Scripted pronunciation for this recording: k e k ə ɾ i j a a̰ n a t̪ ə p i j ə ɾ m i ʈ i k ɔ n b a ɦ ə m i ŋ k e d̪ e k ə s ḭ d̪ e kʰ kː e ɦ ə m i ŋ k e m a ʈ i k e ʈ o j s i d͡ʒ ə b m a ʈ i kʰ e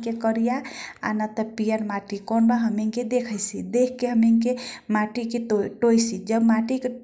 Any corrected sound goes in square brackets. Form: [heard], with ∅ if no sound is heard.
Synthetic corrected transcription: k e k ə ɾ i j a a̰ n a t̪ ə p i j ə ɾ m [a] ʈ i k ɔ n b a ɦ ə m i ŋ k e d̪ e [kʰ] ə s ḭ d̪ e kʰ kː e ɦ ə m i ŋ k e m a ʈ i k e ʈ o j s i d͡ʒ ə b m a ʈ i [k] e